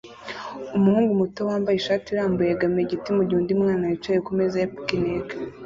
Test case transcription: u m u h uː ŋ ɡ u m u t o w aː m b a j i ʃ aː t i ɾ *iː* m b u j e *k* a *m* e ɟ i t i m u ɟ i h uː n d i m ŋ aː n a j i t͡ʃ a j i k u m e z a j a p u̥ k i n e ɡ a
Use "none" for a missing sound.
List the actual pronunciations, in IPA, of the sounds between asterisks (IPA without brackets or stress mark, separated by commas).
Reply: aː, ɡ, m